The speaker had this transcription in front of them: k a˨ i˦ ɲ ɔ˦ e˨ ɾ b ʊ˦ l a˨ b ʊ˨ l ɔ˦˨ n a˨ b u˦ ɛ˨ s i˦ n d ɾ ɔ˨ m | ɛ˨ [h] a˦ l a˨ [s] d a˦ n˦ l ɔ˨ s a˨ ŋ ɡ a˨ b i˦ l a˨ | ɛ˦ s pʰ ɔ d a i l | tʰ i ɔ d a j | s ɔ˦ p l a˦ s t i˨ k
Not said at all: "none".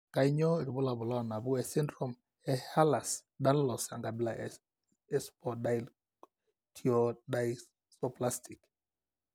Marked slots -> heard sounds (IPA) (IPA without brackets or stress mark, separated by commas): h, s